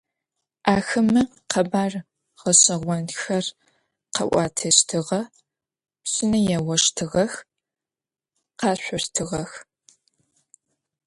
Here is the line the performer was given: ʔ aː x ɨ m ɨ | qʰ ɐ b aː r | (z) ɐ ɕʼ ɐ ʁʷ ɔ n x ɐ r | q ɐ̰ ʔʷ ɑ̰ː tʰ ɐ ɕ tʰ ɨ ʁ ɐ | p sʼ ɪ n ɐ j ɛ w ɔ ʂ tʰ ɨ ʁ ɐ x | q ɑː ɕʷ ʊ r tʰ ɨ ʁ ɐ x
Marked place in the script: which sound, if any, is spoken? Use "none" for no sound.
ʁ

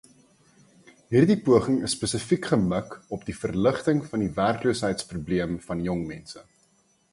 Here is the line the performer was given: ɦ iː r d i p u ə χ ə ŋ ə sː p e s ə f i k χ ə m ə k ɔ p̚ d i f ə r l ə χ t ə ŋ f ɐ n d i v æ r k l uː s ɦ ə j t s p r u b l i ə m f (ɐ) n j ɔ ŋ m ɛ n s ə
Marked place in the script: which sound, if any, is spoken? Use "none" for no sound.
ɐ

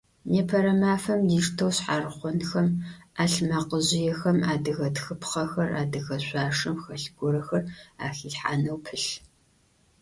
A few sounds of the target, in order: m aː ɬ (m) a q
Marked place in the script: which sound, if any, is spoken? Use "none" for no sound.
m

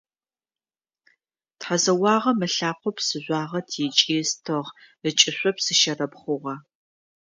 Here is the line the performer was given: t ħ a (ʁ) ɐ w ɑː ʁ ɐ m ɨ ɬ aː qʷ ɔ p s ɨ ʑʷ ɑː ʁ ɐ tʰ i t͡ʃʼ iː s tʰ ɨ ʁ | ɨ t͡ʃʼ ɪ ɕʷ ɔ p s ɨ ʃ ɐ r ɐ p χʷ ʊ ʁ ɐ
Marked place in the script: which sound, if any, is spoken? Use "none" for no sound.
z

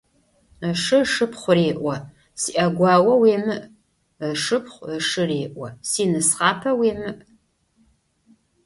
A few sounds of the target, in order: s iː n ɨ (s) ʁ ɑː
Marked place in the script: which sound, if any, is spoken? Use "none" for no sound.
s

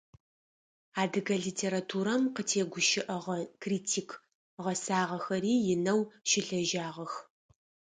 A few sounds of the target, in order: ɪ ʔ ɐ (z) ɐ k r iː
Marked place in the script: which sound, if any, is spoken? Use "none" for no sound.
ʁ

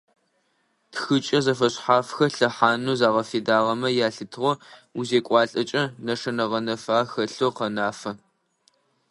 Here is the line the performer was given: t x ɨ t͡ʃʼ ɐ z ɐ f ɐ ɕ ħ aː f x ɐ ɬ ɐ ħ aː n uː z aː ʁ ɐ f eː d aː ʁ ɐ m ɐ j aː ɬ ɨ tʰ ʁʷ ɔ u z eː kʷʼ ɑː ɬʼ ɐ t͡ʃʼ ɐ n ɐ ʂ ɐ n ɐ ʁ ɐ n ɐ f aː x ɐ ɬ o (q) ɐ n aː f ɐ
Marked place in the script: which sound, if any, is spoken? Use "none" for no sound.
q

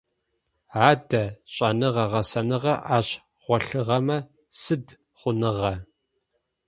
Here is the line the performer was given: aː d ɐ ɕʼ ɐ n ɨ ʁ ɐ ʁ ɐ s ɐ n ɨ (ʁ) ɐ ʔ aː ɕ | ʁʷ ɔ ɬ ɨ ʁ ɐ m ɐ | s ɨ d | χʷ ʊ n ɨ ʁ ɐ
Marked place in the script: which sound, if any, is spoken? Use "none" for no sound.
ʁ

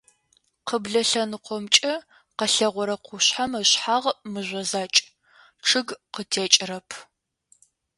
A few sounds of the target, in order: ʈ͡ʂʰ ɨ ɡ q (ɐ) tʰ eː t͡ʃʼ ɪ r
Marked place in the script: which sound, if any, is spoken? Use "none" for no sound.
ə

